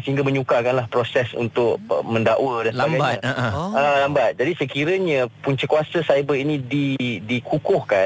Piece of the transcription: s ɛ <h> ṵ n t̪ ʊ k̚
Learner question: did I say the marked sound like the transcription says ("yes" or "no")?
no